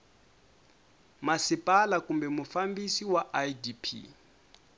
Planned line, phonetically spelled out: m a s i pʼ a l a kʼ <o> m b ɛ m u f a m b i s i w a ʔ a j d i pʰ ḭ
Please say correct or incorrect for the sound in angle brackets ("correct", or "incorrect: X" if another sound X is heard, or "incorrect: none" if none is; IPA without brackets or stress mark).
incorrect: u